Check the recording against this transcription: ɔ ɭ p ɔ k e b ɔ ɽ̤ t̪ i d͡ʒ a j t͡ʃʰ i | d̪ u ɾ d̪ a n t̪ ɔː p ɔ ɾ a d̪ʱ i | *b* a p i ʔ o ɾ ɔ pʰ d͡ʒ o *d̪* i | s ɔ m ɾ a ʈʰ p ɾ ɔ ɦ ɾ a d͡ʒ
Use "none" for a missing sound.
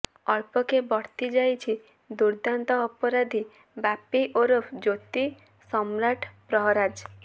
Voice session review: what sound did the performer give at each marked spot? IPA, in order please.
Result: b, t̪

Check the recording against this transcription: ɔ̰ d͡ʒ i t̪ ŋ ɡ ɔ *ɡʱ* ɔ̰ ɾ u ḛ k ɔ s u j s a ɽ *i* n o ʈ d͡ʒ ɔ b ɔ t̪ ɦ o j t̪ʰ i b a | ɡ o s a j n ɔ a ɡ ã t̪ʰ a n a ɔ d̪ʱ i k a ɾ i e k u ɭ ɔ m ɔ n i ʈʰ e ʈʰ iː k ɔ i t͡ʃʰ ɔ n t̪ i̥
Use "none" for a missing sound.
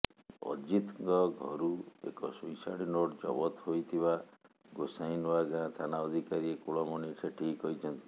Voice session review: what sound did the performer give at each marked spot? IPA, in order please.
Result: ɡʱ, i

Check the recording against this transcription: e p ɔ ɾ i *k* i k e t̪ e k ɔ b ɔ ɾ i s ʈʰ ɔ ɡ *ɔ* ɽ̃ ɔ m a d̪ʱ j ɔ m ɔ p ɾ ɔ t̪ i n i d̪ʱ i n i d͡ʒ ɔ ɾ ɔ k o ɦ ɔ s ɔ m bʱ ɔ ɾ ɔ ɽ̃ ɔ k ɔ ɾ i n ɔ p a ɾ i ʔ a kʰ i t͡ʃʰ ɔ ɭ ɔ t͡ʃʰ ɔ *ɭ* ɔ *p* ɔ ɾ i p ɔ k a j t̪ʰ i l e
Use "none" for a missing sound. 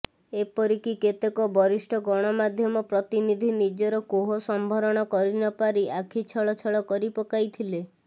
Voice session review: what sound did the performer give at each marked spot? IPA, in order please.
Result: k, ɔ, ɭ, k

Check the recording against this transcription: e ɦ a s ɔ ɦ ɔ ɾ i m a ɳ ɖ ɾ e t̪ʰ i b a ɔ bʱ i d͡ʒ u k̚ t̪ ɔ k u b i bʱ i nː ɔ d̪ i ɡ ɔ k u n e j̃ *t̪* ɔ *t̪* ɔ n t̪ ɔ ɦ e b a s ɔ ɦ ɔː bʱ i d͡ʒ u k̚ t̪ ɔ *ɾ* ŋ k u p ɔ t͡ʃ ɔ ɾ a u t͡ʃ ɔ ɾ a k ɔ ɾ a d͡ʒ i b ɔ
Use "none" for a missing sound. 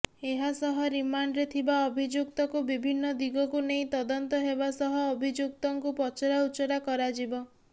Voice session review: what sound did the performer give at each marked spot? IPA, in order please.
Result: t̪, d̪, none

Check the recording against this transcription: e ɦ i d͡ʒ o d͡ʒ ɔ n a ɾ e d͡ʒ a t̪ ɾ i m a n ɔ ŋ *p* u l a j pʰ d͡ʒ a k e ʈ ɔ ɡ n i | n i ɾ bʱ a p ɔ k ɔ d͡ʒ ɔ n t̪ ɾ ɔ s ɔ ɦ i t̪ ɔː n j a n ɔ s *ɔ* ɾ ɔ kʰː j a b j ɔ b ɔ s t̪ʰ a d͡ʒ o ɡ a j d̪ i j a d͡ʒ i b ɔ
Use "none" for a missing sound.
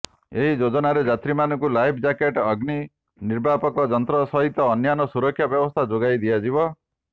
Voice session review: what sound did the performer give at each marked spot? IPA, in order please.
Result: k, u

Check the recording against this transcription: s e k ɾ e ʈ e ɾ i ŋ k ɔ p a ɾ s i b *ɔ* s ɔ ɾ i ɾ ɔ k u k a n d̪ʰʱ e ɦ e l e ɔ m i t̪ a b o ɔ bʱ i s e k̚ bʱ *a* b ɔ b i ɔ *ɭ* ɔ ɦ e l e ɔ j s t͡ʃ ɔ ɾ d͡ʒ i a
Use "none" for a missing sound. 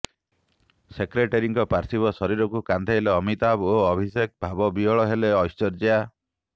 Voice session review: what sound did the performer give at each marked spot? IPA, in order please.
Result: ɔ, a, ɭ

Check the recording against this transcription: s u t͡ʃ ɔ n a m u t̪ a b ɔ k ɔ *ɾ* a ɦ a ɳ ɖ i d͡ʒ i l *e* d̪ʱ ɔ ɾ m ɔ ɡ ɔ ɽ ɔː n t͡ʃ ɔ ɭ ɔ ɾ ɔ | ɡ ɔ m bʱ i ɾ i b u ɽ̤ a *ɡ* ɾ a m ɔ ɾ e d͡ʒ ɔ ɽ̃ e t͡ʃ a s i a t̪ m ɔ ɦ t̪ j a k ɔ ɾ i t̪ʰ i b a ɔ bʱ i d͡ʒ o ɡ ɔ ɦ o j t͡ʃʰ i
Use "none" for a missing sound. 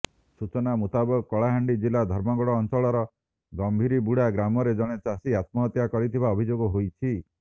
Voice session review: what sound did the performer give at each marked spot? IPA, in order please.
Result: ɭ, a, ɡ

